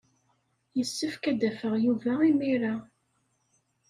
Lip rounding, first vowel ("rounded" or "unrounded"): unrounded